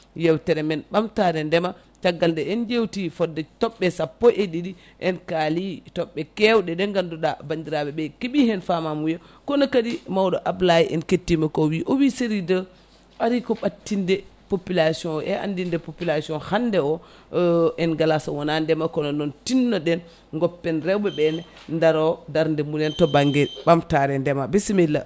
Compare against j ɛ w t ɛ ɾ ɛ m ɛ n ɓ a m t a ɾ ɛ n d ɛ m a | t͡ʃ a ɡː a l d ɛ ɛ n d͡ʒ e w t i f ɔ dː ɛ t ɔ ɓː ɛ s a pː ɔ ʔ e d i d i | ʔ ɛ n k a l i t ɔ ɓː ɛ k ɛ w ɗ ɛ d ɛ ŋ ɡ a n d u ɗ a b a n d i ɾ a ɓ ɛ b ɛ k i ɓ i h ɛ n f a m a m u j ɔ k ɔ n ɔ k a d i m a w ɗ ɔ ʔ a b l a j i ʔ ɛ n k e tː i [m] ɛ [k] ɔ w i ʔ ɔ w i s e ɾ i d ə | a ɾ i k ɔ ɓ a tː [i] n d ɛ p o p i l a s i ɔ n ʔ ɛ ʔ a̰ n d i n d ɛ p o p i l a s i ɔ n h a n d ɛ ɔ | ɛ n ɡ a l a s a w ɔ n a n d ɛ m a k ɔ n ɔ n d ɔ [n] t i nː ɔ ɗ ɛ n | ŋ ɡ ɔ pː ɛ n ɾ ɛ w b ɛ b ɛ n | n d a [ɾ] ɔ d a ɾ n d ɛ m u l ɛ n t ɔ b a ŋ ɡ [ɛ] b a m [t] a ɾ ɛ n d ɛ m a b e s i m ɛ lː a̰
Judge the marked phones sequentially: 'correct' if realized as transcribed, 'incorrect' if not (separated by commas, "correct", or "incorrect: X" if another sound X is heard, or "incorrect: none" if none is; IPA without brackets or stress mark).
correct, correct, correct, correct, correct, correct, correct